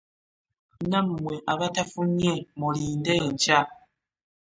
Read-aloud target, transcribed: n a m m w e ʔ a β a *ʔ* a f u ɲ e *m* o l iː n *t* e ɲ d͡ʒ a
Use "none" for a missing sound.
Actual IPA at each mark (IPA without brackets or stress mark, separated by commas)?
t, m, d